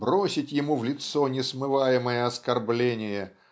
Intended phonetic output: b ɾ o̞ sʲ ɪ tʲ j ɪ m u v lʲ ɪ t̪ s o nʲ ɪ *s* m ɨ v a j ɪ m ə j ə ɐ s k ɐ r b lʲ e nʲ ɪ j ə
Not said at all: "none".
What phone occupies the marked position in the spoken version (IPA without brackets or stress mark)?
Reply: s